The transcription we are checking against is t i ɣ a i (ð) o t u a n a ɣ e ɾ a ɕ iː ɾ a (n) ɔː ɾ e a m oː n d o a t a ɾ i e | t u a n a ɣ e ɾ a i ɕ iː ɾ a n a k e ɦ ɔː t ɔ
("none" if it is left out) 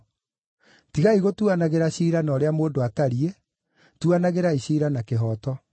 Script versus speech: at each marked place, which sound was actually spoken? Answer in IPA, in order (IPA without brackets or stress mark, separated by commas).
ɣ, n